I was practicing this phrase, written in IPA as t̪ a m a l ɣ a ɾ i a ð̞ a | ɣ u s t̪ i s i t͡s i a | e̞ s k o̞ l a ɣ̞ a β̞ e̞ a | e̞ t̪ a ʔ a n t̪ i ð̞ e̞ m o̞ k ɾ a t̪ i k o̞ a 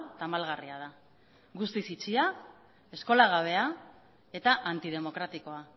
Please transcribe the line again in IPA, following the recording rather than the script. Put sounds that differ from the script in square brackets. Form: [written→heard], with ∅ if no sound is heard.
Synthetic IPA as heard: t̪ a m a l ɣ a [ɾ→r] i a ð̞ a | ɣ u s t̪ i s i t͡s i a | e̞ s k o̞ l a ɣ̞ a β̞ e̞ a | e̞ t̪ a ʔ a n t̪ i ð̞ e̞ m o̞ k ɾ a t̪ i k o̞ a